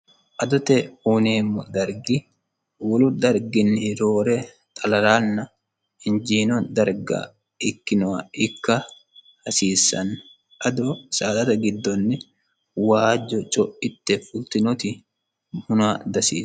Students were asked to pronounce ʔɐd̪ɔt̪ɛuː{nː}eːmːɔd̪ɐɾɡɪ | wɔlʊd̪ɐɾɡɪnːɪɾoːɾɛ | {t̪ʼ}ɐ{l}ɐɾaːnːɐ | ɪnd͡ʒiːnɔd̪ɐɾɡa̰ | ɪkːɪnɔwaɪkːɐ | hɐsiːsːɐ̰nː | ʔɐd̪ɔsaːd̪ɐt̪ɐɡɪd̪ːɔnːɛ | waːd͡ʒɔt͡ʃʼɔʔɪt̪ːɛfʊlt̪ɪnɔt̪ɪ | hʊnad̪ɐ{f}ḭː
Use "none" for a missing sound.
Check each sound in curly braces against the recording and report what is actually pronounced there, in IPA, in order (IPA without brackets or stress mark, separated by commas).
n, t̪ʼ, l, s